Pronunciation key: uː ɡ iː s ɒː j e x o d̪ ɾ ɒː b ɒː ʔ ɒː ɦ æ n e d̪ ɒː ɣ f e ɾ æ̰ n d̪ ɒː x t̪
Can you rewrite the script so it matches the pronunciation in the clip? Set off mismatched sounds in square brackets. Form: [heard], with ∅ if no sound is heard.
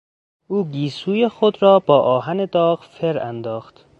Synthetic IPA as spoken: uː ɡ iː s [uː] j e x o d̪ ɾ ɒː b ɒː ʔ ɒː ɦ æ n e d̪ ɒː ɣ f e ɾ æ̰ n d̪ ɒː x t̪